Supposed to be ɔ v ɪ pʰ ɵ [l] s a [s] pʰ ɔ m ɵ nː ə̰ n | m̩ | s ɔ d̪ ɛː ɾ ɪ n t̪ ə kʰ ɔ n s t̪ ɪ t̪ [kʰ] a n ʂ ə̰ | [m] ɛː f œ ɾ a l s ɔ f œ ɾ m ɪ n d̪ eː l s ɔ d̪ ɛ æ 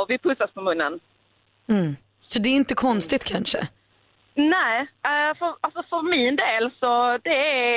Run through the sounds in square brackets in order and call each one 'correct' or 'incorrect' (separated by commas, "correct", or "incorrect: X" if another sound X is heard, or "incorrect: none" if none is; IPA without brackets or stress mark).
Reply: incorrect: none, correct, correct, incorrect: n